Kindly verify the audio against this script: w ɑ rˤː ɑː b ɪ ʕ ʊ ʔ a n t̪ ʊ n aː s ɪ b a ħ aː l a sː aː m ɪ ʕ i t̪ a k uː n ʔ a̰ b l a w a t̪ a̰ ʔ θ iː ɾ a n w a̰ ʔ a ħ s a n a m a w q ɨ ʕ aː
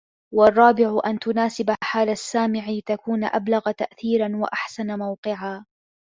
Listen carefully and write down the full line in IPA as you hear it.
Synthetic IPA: w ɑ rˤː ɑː b ɪ ʕ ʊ ʔ a n t̪ ʊ n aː s ɪ b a ħ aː l a sː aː m ɪ ʕ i t̪ a k uː n ʔ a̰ b l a ɣ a t̪ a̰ ʔ θ iː ɾ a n w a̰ ʔ a ħ s a n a m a w q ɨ ʕ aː